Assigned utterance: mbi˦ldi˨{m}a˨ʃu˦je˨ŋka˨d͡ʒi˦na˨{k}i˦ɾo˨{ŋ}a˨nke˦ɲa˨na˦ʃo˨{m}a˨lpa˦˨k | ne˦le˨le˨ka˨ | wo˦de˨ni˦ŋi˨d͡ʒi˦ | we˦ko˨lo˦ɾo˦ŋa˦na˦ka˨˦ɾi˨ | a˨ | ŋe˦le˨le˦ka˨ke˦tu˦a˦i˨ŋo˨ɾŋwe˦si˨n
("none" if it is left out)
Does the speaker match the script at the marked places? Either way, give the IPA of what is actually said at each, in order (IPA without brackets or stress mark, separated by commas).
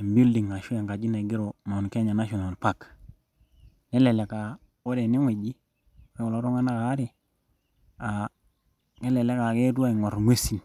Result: ŋ, ɡ, m, n